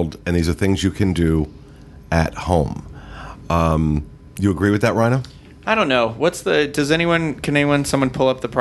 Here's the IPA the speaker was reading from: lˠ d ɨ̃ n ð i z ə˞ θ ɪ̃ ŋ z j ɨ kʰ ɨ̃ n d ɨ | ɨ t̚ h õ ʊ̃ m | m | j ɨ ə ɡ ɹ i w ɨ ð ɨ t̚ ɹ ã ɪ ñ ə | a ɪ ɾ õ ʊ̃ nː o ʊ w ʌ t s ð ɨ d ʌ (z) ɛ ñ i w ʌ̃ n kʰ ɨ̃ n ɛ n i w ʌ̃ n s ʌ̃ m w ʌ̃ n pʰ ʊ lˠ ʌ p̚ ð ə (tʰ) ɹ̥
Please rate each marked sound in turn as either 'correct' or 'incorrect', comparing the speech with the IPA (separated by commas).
correct, incorrect